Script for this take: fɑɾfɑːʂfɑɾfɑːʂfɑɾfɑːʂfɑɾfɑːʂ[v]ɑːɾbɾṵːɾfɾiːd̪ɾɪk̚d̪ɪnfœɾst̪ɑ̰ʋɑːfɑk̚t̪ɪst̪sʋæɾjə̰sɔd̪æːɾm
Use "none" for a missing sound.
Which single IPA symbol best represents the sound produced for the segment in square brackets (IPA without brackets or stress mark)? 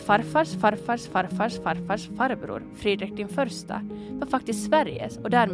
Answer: f